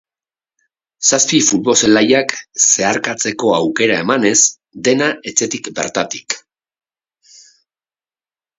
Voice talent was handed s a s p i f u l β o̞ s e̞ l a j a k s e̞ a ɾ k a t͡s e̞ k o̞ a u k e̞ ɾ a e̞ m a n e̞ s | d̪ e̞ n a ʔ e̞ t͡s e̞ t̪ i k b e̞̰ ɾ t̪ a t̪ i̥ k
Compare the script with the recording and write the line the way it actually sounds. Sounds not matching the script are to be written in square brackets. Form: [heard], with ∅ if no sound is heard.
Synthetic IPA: s a s p i f u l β o̞ s e̞ l a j a k s e̞ a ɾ k a t͡s e̞ k o̞ a [w] k e̞ ɾ a e̞ m a n e̞ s | d̪ e̞ n a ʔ e̞ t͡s e̞ t̪ i k b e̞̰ ɾ t̪ a t̪ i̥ k